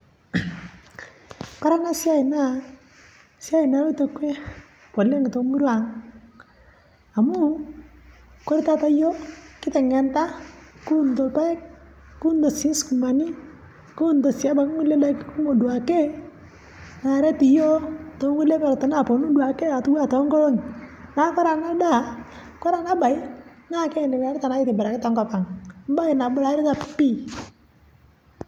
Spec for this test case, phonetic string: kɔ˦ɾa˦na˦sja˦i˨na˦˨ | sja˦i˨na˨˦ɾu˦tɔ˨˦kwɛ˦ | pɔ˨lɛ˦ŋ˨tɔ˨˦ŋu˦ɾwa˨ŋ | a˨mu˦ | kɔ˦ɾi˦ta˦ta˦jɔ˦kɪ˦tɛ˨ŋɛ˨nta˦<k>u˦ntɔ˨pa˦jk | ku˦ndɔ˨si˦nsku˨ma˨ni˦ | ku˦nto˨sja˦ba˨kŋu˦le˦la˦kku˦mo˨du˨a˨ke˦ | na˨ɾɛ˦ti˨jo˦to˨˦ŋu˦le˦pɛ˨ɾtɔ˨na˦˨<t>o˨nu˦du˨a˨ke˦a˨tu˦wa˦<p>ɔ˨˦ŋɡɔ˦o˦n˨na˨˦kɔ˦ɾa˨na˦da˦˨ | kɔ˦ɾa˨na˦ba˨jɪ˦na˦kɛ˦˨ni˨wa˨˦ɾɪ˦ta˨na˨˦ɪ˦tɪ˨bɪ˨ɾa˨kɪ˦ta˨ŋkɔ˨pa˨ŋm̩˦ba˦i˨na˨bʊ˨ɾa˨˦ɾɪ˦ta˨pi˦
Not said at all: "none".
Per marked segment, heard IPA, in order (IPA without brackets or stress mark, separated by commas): k, p, t